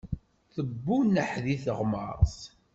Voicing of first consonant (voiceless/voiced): voiceless